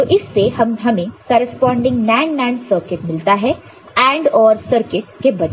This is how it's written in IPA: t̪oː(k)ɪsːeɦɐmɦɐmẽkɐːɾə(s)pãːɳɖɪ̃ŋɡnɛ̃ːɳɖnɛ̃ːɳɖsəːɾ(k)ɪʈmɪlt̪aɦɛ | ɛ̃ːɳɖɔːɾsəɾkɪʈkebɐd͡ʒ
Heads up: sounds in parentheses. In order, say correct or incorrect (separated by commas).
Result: incorrect, correct, correct